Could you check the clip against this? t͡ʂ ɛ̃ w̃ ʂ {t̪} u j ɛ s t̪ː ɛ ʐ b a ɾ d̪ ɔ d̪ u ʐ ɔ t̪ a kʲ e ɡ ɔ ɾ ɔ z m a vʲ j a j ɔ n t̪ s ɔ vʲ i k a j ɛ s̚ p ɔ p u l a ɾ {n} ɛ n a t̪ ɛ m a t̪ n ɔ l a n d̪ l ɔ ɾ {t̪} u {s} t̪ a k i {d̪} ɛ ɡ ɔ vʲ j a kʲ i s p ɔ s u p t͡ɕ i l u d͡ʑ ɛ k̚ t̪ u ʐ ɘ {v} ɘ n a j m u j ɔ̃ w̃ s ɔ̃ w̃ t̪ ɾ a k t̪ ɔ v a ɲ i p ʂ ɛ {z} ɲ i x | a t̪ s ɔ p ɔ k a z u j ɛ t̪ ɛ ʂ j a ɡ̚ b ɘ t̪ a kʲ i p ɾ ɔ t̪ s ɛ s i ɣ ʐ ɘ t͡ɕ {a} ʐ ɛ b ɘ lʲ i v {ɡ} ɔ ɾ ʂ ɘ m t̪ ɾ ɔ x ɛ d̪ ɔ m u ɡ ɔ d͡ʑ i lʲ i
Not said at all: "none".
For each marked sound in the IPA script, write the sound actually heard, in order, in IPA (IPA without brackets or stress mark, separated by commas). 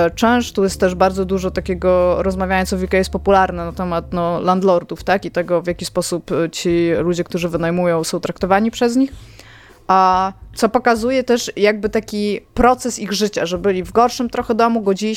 t̪, n, d̪, f, t̪, v, z, a, ɡ